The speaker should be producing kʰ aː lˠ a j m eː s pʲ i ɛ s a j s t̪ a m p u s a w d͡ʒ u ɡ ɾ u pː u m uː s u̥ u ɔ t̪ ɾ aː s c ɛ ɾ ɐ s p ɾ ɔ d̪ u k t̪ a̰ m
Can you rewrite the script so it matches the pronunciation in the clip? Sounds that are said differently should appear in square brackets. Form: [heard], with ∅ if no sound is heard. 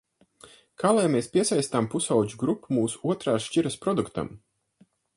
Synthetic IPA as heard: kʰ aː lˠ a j m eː s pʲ i ɛ s a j s t̪ a m p u s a w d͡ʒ u ɡ ɾ u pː u m uː s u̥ u ɔ t̪ ɾ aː [ʃ] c [i] ɾ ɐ s p ɾ ɔ d̪ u k t̪ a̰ m